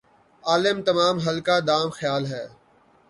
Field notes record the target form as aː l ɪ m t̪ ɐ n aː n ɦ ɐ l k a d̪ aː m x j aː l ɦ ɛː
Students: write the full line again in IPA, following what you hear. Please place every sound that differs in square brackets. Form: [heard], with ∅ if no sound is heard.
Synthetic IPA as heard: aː l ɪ m t̪ ɐ [m] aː [m] ɦ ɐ l k a d̪ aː m x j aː l ɦ ɛː